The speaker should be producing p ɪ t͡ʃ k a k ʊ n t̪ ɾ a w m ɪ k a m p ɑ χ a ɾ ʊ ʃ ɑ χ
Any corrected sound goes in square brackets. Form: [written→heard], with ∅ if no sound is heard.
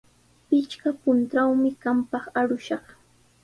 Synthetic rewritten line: p ɪ t͡ʃ k a [k→p] ʊ n t̪ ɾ a w m ɪ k a m p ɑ χ a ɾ ʊ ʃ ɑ χ